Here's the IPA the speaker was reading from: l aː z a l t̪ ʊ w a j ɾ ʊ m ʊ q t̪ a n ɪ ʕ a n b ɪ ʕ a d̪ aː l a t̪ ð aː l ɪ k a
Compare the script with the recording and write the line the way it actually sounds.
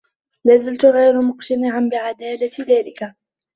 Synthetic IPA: l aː z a l t̪ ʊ ɣ a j ɾ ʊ m ʊ q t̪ a n ɪ ʕ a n b ɪ ʕ a d̪ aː l a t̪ ð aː l ɪ k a